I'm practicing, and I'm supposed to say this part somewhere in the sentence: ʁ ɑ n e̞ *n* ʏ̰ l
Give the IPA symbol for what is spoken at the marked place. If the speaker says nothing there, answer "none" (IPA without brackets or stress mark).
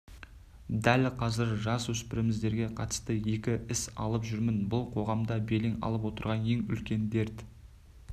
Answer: ŋ